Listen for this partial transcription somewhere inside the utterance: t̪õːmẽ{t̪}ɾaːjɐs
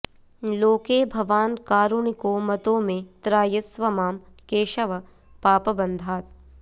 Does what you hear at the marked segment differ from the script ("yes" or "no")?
no